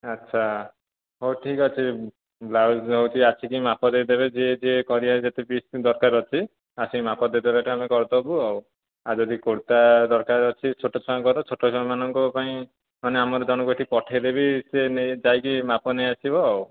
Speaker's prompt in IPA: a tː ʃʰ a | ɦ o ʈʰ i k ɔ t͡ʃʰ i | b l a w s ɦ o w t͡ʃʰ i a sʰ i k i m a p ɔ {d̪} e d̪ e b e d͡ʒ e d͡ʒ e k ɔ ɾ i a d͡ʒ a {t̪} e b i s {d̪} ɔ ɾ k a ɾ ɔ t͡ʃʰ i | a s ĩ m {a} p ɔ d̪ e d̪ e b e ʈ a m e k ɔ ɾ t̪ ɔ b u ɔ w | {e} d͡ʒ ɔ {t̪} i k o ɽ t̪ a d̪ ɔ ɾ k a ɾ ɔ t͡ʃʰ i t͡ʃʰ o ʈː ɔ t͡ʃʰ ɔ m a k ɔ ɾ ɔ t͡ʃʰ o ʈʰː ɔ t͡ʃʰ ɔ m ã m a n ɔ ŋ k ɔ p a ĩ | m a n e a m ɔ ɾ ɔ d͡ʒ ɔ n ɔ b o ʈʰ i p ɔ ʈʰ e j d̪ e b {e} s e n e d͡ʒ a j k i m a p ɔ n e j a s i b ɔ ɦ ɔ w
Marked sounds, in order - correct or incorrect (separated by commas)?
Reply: correct, correct, correct, correct, incorrect, incorrect, incorrect